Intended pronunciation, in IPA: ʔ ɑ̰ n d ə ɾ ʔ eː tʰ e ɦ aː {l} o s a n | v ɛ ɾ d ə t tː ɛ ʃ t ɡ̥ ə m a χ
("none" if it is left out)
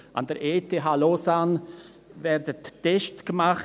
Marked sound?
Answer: l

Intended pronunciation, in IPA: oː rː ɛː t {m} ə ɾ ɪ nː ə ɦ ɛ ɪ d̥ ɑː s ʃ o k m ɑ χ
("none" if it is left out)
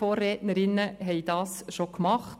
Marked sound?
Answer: n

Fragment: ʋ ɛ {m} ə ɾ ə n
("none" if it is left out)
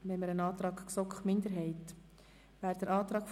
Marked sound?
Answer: m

